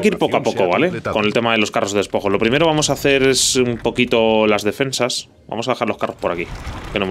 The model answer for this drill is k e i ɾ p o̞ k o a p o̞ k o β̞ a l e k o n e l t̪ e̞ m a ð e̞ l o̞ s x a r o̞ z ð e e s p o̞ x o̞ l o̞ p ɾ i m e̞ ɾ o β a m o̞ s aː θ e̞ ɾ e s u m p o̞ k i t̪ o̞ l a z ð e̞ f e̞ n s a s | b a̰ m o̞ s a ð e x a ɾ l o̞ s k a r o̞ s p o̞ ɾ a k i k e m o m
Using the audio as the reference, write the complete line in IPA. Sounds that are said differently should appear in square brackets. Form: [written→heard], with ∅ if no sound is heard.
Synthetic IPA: k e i ɾ p o̞ k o a p o̞ k o β̞ a l e k o n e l t̪ e̞ m a ð e̞ l o̞ s [x→k] a r o̞ z ð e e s p o̞ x o̞ l o̞ p ɾ i m e̞ ɾ o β a m o̞ s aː θ e̞ ɾ e s u m p o̞ k i t̪ o̞ l a z ð e̞ f e̞ n s a s | b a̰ m o̞ s a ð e x a ɾ l o̞ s k a r o̞ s p o̞ ɾ a k i k e [m→n] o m